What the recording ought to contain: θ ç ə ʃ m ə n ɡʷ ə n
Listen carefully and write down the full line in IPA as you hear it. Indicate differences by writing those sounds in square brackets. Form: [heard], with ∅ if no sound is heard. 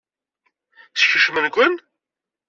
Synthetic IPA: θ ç ə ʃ m ə n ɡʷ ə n